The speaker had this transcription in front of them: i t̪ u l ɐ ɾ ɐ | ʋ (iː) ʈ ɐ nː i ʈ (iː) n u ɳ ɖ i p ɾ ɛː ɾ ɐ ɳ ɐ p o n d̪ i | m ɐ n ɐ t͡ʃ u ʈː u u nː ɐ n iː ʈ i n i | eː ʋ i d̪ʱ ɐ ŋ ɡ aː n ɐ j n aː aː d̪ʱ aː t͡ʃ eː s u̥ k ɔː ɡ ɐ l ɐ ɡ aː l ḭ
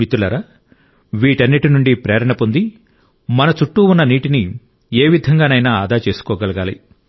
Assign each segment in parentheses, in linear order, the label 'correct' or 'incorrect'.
correct, incorrect: i

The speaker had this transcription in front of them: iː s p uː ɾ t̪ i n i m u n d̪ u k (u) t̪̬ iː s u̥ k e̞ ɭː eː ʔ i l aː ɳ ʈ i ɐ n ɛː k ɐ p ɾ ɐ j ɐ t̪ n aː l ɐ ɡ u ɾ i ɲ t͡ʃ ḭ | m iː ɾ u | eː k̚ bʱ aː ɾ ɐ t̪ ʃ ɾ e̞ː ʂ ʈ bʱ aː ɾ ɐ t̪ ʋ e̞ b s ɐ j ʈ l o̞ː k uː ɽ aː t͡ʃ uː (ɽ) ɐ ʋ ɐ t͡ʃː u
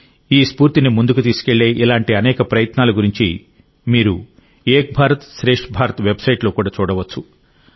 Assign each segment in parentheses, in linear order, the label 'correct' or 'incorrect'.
correct, correct

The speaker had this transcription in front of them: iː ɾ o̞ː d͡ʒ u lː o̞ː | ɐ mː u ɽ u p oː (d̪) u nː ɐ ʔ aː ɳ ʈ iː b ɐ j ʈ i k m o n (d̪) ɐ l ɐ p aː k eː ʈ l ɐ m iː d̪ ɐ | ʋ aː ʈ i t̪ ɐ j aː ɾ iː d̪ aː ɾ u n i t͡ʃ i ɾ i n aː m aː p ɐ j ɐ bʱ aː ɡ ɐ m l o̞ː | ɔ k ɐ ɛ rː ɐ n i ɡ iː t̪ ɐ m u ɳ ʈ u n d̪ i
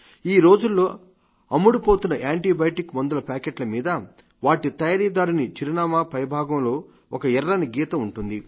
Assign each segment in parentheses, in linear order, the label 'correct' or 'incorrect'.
incorrect: t̪, correct

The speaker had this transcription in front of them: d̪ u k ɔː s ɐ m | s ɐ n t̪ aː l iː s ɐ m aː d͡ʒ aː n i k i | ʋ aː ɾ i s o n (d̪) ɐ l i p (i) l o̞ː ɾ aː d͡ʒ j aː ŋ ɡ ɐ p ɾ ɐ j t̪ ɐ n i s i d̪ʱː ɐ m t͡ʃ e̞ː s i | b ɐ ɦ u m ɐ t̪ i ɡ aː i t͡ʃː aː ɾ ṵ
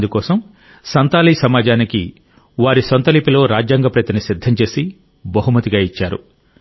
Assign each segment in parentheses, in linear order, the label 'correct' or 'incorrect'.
incorrect: t̪, correct

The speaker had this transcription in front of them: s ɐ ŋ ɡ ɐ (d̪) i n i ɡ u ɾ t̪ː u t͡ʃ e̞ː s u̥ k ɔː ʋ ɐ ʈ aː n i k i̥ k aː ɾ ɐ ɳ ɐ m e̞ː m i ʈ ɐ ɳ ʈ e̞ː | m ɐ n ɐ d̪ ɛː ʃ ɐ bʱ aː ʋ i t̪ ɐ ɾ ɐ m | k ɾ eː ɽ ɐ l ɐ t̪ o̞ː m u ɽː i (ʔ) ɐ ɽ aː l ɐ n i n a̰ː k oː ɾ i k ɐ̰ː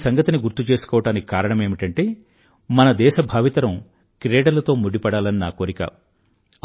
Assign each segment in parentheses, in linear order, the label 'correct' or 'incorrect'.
incorrect: t̪, incorrect: p

